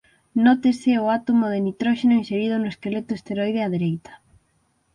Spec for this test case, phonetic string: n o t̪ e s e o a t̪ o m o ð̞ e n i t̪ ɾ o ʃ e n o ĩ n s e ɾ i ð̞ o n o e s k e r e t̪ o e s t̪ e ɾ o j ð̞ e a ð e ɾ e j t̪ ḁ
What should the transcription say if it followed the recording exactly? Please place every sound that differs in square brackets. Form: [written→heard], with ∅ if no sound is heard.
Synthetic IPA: n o t̪ e s e o a t̪ o m o ð̞ e n i t̪ ɾ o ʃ e n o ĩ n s e ɾ i ð̞ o n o e s k e [r→l] e t̪ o e s t̪ e ɾ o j ð̞ e a ð e ɾ e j t̪ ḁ